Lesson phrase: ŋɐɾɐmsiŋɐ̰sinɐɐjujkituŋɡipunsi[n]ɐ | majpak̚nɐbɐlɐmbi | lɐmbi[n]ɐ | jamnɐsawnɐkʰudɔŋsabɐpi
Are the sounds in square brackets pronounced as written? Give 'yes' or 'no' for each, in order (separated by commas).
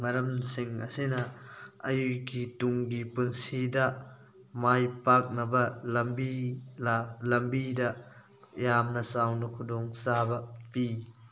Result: no, no